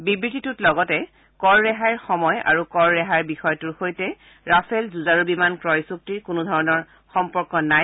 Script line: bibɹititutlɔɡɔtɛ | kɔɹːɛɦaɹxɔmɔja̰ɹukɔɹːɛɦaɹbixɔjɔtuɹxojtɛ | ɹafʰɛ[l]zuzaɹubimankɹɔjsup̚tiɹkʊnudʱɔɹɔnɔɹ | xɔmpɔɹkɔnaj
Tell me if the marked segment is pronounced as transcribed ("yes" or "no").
yes